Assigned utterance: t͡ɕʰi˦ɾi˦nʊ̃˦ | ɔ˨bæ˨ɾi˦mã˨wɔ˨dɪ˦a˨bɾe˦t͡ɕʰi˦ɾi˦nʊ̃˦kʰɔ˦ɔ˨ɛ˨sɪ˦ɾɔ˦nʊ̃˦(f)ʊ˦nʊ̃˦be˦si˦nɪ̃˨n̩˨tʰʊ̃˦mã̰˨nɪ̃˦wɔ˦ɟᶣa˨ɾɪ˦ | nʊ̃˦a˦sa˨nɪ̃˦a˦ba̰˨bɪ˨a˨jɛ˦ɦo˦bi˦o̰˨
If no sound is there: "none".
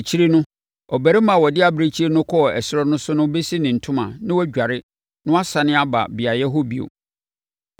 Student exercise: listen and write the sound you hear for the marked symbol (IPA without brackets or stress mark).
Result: s